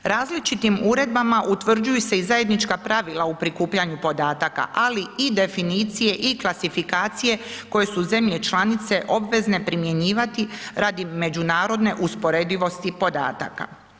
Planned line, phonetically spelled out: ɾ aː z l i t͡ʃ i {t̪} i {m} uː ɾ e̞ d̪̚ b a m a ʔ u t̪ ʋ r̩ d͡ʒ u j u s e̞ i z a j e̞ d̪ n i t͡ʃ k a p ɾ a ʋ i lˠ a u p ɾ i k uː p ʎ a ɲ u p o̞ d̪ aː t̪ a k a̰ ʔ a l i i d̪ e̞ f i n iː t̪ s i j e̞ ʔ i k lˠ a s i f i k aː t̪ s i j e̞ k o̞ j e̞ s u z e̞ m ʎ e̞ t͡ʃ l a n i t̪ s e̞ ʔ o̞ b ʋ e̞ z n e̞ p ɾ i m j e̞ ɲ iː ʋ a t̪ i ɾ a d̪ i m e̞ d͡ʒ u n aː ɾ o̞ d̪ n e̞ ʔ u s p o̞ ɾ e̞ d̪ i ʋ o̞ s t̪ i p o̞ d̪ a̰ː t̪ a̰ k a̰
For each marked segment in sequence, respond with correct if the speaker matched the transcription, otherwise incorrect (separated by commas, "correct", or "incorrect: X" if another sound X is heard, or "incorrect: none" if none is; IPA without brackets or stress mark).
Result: correct, correct